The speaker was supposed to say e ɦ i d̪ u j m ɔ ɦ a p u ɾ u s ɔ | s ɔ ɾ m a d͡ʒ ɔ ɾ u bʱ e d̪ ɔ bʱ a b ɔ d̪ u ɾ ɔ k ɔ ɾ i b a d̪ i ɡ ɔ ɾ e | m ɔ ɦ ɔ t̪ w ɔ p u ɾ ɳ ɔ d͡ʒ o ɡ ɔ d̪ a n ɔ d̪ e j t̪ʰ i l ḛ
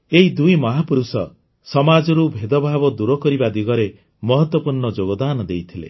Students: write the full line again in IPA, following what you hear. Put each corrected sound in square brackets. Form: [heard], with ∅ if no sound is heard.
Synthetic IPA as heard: e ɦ i d̪ u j m ɔ ɦ a p u ɾ u s ɔ | s ɔ [∅] m a d͡ʒ ɔ ɾ u bʱ e d̪ ɔ bʱ a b ɔ d̪ u ɾ ɔ k ɔ ɾ i b a d̪ i ɡ ɔ ɾ e | m ɔ ɦ ɔ t̪ w ɔ p u ɾ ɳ ɔ d͡ʒ o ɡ ɔ d̪ a n ɔ d̪ e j t̪ʰ i l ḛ

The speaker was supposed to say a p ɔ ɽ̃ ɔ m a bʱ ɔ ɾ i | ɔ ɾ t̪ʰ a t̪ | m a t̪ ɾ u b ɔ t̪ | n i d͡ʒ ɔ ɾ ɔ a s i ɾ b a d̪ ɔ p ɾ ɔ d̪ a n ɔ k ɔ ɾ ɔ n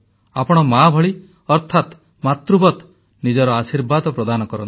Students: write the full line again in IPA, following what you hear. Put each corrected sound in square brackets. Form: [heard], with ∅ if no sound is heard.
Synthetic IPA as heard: a p ɔ ɽ̃ ɔ m a bʱ ɔ [ɭ] i | ɔ ɾ t̪ʰ a t̪ | m a t̪ ɾ u b ɔ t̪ | n i d͡ʒ ɔ ɾ ɔ a s i ɾ b a d̪ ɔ p ɾ ɔ d̪ a n ɔ k ɔ ɾ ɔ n

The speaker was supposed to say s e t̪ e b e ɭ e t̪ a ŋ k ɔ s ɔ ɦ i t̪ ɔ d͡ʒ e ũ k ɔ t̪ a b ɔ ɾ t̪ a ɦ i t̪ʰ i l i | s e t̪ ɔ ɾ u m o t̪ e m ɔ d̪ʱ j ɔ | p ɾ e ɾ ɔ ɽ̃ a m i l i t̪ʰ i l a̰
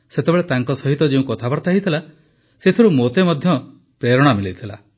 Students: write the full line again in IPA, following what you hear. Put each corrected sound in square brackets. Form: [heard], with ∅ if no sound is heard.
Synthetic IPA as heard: s e t̪ e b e ɭ e t̪ a ŋ k ɔ s ɔ ɦ i t̪ ɔ d͡ʒ e ũ k ɔ [t̪ʰ] a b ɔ ɾ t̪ a ɦ i t̪ʰ i l [a] | s e [t̪ʰ] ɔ ɾ u m o t̪ e m ɔ d̪ʱ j ɔ | p ɾ e ɾ ɔ ɽ̃ a m i l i t̪ʰ i l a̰

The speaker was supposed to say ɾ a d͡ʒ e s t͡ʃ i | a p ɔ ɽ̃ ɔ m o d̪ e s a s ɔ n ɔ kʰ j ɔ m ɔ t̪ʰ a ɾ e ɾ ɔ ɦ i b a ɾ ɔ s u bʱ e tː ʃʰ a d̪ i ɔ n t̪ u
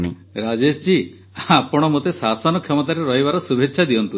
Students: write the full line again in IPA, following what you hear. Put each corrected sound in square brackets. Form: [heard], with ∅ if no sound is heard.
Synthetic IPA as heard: ɾ a d͡ʒ e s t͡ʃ i | a p ɔ ɽ̃ ɔ m o [t̪] e s a s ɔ n ɔ kʰ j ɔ m ɔ [t̪] a ɾ e ɾ ɔ ɦ i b a ɾ ɔ s u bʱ e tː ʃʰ a d̪ i ɔ n t̪ u

